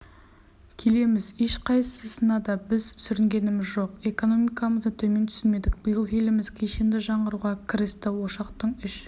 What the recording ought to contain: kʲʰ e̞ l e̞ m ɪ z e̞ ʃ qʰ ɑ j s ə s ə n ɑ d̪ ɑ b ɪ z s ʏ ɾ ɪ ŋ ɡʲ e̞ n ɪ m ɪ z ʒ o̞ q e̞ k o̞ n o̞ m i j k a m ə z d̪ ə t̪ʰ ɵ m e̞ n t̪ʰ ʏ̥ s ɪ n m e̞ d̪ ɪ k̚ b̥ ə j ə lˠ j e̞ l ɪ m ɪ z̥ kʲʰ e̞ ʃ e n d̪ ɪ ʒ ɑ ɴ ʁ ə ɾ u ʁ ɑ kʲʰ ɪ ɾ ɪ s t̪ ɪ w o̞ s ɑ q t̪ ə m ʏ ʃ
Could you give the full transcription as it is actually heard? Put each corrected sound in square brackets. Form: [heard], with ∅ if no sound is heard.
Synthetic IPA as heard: kʲʰ e̞ l e̞ m ɪ z e̞ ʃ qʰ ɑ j s ə s ə n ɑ d̪ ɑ b ɪ z s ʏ ɾ ɪ ŋ ɡʲ e̞ n ɪ m ɪ z ʒ o̞ q e̞ k o̞ n o̞ m i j k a m ə z d̪ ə t̪ʰ ɵ m e̞ n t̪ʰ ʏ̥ s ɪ n m e̞ d̪ ɪ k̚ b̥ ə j ə lˠ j e̞ l ɪ m ɪ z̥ kʲʰ e̞ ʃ e n d̪ ɪ ʒ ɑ ɴ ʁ ə ɾ u ʁ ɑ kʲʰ ɪ ɾ ɪ s t̪ ɪ w o̞ [ʃ] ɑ q t̪ ə [ɴ] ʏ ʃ